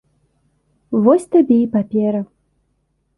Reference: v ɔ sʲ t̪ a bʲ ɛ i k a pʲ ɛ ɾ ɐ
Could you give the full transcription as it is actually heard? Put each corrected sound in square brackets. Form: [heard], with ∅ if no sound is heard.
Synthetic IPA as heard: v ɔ sʲ t̪ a bʲ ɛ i [p] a pʲ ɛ ɾ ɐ

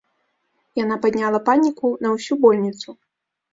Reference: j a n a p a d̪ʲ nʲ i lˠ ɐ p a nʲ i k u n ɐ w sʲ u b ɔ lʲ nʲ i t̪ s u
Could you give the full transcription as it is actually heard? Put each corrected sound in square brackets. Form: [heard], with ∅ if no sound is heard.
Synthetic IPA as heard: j a n a p a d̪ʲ nʲ [a] lˠ ɐ p a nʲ i k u n ɐ w sʲ u b ɔ lʲ nʲ i t̪ s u

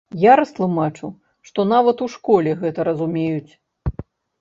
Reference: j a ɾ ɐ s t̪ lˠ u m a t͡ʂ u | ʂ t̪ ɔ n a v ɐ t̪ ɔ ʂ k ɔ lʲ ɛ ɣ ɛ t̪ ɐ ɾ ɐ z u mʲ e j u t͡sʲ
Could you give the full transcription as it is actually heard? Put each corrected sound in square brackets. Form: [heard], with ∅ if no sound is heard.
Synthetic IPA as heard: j a ɾ ɐ s t̪ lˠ u m a t͡ʂ u | ʂ t̪ ɔ n a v ɐ t̪ [u] ʂ k ɔ lʲ ɛ ɣ ɛ t̪ ɐ ɾ ɐ z u mʲ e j u t͡sʲ

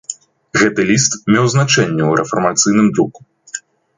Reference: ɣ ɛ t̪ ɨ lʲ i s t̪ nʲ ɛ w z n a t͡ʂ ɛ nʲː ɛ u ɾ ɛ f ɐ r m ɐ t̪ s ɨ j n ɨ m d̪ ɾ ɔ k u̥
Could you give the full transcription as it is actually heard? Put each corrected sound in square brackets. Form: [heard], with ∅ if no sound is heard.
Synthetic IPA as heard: ɣ ɛ t̪ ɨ lʲ i s t̪ [mʲ] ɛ w z n a t͡ʂ ɛ nʲː ɛ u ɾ ɛ f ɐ r m [a] t̪ s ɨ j n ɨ m d̪ ɾ [u] k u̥

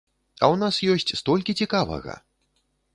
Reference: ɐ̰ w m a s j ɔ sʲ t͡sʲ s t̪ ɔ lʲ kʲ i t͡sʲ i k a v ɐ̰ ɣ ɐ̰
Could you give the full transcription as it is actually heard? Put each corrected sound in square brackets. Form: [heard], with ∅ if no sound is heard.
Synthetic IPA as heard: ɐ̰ w [n] a s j ɔ sʲ t͡sʲ s t̪ ɔ lʲ kʲ i t͡sʲ i k a v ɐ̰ ɣ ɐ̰

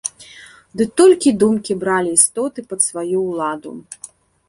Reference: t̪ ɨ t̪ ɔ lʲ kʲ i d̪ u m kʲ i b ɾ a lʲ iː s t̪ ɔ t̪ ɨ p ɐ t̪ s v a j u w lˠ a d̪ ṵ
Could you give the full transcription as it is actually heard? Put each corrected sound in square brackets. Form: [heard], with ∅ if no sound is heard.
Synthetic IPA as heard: [d̪] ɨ t̪ ɔ lʲ kʲ i d̪ u m kʲ i b ɾ a lʲ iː s t̪ ɔ t̪ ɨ p ɐ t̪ s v a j u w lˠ a d̪ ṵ

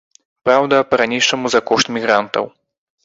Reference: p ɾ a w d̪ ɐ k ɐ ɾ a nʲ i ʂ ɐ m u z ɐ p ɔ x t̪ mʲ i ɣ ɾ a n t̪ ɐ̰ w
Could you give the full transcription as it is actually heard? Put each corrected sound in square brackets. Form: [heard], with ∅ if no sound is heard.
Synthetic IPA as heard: p ɾ a w d̪ ɐ [p] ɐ ɾ a nʲ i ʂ ɐ m u z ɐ [k] ɔ [ʂ] t̪ mʲ i ɣ ɾ a n t̪ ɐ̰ w

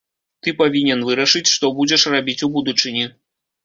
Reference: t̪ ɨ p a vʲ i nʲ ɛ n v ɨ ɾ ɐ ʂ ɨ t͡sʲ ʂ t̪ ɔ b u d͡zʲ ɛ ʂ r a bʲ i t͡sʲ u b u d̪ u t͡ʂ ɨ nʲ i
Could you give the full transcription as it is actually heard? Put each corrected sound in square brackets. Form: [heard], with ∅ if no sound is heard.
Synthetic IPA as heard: t̪ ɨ p a vʲ i nʲ ɛ n v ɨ ɾ ɐ ʂ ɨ t͡sʲ ʂ t̪ ɔ b u d͡zʲ ɛ ʂ r a bʲ i t͡sʲ u b u d̪ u t͡ʂ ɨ nʲ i

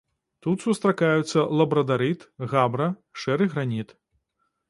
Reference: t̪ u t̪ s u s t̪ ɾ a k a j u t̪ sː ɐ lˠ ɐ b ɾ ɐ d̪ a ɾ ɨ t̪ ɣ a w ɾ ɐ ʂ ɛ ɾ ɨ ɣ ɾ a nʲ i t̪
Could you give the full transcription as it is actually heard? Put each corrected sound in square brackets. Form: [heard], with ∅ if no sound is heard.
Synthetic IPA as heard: t̪ u t̪ s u s t̪ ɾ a k a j u t̪ sː ɐ lˠ ɐ b ɾ ɐ d̪ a ɾ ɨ t̪ ɣ a [b] ɾ ɐ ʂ ɛ ɾ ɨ ɣ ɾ a nʲ i t̪

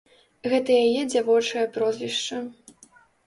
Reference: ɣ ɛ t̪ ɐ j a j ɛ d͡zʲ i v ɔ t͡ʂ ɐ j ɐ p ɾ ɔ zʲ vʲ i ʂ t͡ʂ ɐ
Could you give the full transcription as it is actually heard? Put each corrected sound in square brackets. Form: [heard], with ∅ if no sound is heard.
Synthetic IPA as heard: ɣ ɛ t̪ ɐ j a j ɛ d͡zʲ [a] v ɔ t͡ʂ ɐ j ɐ p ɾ ɔ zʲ vʲ i ʂ t͡ʂ ɐ

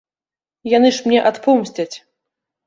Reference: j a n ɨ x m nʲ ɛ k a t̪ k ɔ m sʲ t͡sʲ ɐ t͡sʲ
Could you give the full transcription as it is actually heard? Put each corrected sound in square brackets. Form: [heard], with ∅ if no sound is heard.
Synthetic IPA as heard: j a n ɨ [ʂ] m nʲ ɛ [ʔ] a t̪ [p] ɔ m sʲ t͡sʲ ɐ t͡sʲ

